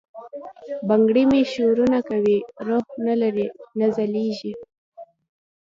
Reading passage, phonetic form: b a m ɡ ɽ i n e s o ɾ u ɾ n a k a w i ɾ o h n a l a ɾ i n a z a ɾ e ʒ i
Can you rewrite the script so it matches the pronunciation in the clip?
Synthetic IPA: b a ŋ ɡ ɽ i m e ʃ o ɾ u n a k a w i ɾ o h n a l a ɾ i n a z a l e ʒ i